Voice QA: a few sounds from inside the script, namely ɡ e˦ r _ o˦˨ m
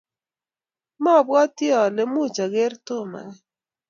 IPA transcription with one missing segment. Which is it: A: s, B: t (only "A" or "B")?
B